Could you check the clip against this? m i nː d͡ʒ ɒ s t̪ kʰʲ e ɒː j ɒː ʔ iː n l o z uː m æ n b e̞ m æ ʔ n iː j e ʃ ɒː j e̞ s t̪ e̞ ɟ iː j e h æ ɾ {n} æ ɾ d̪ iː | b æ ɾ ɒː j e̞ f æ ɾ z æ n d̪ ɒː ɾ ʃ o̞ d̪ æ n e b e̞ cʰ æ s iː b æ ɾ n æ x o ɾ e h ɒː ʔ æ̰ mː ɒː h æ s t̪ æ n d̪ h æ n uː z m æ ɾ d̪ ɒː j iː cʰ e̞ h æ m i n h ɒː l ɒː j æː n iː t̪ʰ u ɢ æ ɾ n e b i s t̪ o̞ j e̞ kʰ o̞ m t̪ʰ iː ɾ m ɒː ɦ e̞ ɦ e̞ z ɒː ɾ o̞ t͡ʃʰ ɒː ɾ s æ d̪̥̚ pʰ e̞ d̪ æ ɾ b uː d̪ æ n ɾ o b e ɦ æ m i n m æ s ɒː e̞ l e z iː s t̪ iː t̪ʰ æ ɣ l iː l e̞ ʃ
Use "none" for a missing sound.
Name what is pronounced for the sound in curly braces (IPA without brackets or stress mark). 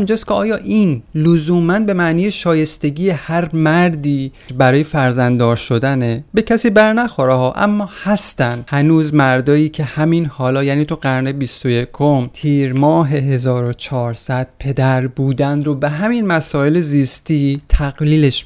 m